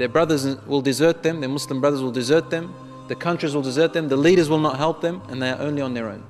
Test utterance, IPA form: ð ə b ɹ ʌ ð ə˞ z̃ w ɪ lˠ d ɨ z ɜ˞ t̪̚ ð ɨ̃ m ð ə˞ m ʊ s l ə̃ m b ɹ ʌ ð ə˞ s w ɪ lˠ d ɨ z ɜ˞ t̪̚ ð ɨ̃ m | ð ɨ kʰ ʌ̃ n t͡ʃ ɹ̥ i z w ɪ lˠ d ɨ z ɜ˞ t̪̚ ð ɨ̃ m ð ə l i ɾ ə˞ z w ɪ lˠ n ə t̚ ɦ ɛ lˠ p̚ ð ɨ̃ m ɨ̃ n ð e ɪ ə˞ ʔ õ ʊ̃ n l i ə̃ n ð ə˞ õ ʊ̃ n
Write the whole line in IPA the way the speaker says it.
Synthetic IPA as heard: ð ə b ɹ ʌ ð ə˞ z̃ w ɪ lˠ d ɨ z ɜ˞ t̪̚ ð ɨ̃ m ð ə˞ m ʊ s l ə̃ m b ɹ ʌ ð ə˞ z w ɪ lˠ d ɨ z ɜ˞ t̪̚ ð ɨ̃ m | ð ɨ kʰ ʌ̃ n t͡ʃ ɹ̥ i z w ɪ lˠ d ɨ z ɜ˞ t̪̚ ð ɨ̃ m ð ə l i ɾ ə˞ z w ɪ lˠ n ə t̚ ɦ ɛ lˠ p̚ ð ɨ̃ m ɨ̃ n ð e ɪ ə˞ ʔ õ ʊ̃ n l i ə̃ n ð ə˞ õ ʊ̃ n